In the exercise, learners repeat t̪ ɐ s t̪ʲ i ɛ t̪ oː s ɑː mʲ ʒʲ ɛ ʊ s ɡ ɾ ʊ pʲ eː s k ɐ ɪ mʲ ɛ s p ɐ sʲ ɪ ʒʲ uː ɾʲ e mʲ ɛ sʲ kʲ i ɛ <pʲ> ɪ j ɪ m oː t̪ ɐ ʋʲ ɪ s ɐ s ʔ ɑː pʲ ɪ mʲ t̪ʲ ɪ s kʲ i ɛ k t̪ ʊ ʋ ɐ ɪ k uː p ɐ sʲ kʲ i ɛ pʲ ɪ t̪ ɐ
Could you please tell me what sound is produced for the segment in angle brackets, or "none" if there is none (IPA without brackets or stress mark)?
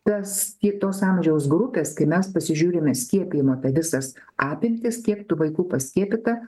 pʲ